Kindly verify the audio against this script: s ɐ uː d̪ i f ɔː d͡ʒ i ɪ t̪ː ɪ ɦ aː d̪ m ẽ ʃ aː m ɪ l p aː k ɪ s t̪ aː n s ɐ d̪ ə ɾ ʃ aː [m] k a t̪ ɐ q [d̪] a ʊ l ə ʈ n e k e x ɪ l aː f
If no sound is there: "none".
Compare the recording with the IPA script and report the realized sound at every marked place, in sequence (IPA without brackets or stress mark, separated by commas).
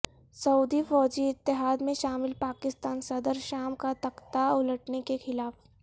m, t̪